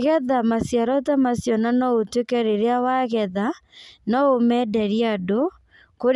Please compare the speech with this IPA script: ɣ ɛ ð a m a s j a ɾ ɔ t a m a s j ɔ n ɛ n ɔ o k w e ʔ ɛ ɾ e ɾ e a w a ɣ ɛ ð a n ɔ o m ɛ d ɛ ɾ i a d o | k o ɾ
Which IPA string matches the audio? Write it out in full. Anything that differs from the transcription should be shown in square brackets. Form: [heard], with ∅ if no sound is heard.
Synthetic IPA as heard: ɣ ɛ ð a m a s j a ɾ ɔ t a m a s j ɔ n [a] n ɔ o [t] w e [k] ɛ ɾ e ɾ e a w a ɣ ɛ ð a n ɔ o m ɛ d ɛ ɾ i a d o | k o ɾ

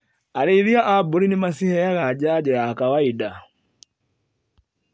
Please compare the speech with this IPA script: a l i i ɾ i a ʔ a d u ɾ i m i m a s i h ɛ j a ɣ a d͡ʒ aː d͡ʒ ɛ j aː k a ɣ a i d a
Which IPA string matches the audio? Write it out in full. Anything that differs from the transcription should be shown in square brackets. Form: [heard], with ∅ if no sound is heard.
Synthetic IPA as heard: a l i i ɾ i a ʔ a [b] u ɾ i [n] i m a s i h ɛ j a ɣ a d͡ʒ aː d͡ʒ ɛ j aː k a [w] a i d a

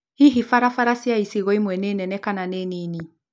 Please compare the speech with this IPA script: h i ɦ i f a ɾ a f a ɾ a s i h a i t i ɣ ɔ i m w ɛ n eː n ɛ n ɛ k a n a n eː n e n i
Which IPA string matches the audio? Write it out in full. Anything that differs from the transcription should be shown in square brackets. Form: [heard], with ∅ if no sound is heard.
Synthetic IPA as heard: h i ɦ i f a ɾ a f a ɾ a s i [∅] a i [s] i ɣ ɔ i m w ɛ n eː n ɛ n ɛ k a n a n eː n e n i

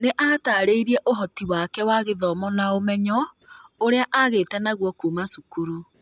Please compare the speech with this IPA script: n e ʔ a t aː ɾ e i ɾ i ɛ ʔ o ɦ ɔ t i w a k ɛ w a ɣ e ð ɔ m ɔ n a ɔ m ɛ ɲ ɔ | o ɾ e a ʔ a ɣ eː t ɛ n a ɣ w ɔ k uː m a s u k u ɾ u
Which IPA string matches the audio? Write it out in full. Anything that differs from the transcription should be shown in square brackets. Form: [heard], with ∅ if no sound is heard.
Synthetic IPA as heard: n e ʔ a t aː ɾ e i ɾ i ɛ ʔ o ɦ ɔ t i w a k ɛ w a ɣ e ð ɔ m ɔ n a [o] m ɛ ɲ ɔ | o ɾ e a ʔ a ɣ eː t ɛ n a ɣ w ɔ k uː m a s u k u ɾ u

